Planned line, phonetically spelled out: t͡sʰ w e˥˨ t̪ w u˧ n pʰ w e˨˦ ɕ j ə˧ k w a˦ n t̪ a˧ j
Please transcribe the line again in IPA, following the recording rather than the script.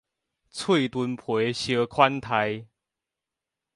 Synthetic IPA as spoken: t͡sʰ w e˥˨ t̪ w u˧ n pʰ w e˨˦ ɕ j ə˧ kʰ w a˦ n t̪ʰ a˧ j